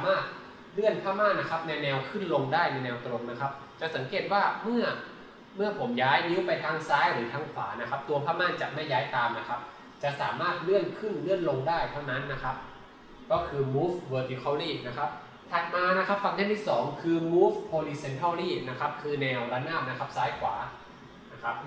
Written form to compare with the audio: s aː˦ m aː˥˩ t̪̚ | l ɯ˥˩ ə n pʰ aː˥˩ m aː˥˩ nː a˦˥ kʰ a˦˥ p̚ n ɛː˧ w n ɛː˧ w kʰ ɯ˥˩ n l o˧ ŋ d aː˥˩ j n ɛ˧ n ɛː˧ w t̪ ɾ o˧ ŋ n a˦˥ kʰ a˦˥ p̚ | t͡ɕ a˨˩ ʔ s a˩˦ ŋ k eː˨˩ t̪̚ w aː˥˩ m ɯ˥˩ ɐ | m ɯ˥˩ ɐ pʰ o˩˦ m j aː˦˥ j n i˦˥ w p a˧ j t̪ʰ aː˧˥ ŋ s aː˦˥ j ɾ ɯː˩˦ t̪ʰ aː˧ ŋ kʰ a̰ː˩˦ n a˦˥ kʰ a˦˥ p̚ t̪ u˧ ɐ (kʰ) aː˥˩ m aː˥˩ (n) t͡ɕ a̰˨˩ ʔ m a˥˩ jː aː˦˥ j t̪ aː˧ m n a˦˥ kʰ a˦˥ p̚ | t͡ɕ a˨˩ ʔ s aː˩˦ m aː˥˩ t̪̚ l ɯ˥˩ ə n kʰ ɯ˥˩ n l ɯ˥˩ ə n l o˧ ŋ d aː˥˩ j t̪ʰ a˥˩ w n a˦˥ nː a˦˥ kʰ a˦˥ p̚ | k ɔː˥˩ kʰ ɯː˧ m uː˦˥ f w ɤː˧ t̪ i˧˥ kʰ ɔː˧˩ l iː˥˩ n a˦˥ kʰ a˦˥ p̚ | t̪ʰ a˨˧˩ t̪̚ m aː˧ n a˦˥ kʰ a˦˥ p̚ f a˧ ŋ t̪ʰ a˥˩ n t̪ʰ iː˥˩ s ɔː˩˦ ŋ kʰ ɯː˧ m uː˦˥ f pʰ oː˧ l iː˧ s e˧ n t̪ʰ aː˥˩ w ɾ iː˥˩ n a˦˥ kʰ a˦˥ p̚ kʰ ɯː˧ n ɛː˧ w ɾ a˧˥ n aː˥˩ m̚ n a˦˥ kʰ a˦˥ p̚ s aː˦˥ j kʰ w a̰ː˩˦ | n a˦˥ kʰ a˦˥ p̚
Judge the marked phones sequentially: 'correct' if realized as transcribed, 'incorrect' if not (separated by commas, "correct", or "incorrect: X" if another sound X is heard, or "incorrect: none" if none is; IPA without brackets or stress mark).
incorrect: pʰ, correct